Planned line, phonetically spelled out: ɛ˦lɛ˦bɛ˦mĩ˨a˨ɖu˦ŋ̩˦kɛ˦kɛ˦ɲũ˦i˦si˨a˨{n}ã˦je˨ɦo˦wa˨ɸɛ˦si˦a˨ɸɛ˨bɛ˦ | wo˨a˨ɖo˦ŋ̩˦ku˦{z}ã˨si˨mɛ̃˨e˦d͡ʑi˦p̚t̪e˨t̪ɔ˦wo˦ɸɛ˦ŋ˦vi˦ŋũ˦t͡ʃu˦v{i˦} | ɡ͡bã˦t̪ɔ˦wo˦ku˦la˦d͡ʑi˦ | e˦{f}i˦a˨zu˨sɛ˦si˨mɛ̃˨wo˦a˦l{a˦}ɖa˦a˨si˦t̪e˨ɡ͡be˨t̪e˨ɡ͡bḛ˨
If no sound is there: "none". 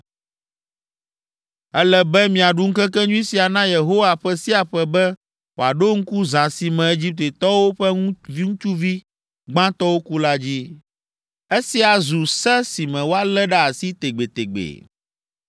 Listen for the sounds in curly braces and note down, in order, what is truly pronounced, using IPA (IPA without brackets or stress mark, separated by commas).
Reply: n, z, i˦, s, ɛ˦